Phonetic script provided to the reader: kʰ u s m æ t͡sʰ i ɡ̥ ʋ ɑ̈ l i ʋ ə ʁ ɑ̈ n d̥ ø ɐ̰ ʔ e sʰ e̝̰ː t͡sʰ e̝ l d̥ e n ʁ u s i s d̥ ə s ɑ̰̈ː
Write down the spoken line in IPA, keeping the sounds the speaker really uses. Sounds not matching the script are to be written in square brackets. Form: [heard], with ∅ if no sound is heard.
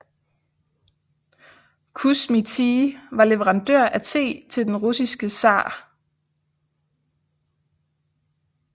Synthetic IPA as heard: kʰ u s m [i] t͡sʰ i [∅] ʋ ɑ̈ l [e] ʋ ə ʁ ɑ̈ n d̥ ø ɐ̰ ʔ [æ] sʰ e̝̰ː t͡sʰ e̝ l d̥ e n ʁ u s i s [ɡ̥] ə s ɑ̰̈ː

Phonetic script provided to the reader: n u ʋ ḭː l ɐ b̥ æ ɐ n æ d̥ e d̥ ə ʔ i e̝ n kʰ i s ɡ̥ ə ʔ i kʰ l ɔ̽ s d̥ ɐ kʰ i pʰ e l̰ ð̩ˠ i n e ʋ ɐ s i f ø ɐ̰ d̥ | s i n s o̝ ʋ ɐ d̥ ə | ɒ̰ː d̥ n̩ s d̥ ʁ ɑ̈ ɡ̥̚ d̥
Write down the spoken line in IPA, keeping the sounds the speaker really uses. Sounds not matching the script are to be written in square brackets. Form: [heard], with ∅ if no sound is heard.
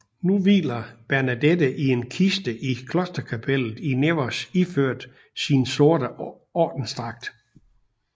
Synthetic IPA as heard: n u ʋ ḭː l ɐ b̥ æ ɐ n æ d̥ e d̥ ə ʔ i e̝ n kʰ i s [d̥] ə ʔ i kʰ l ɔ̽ s d̥ ɐ kʰ [æ] pʰ e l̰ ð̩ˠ i n e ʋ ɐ s i f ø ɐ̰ d̥ | s i n s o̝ [∅] ɐ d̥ ə | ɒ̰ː d̥ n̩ s d̥ ʁ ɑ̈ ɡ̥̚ d̥

